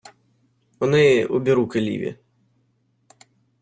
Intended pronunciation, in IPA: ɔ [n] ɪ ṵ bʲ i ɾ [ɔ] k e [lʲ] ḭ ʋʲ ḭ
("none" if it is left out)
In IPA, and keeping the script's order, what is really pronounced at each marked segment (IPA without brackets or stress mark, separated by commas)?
n, u, lʲ